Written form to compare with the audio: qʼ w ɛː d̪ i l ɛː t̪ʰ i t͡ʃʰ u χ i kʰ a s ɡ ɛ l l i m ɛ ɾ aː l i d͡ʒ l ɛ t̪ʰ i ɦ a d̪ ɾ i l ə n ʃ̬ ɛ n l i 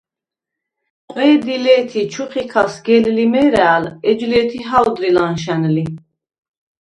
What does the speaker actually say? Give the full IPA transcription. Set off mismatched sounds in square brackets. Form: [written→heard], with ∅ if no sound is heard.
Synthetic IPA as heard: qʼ w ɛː d̪ i l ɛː t̪ʰ i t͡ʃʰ u χ i kʰ a s ɡ ɛ l l i m ɛ ɾ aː l [i→ɛ] d͡ʒ l ɛ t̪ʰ i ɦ a d̪ ɾ i l [ə→a] n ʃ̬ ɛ n l i